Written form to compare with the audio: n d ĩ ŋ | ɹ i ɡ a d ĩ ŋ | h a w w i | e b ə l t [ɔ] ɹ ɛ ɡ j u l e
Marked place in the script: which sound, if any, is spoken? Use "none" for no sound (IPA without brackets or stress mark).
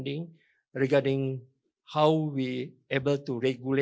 u